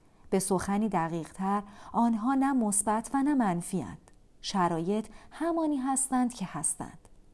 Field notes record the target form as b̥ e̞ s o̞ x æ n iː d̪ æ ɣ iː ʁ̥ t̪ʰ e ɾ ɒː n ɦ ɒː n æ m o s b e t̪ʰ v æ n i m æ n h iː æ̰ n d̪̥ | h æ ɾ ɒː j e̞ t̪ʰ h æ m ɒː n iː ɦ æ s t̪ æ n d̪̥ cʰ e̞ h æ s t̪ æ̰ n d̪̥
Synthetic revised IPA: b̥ e̞ s o̞ x æ n iː d̪ æ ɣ iː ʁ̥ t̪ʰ æ ɾ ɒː n ɦ ɒː n æ m o s b æ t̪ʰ v æ n æ m æ n f iː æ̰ n d̪̥ | ʃ æ ɾ ɒː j e̞ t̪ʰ h æ m ɒː n iː ɦ æ s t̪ æ n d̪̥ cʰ e̞ h æ s t̪ æ̰ n d̪̥